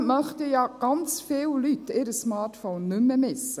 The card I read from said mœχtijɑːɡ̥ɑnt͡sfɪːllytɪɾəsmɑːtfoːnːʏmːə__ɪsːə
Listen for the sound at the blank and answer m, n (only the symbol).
m